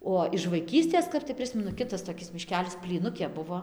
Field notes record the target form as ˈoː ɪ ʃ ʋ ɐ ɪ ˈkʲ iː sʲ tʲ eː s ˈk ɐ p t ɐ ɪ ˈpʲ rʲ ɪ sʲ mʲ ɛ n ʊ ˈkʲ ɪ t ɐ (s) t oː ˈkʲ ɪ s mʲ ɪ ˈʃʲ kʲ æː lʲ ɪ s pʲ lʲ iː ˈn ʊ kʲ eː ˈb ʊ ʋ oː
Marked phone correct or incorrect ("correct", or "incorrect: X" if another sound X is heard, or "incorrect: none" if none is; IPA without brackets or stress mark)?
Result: correct